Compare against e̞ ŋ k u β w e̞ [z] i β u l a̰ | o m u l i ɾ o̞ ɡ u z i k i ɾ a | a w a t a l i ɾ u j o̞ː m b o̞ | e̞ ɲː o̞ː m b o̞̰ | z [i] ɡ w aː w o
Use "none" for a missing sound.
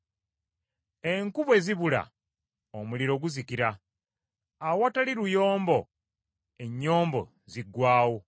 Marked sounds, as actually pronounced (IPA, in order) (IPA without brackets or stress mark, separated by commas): z, i